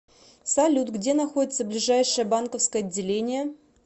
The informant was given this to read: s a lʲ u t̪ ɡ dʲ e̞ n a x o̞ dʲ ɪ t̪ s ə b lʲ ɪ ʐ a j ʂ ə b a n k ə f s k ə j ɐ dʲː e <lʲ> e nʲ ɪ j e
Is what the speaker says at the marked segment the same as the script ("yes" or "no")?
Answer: yes